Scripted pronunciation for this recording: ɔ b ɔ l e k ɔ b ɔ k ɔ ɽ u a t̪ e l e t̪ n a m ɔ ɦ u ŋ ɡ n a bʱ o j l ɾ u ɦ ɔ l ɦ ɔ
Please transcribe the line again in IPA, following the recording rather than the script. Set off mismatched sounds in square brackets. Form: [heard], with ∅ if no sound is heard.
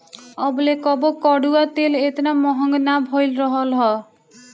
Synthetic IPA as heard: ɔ b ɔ l e k ɔ b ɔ k ɔ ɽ u a t̪ e l e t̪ n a m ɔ ɦ [ɔ] ŋ ɡ n a bʱ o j l ɾ [ɔ] ɦ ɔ l ɦ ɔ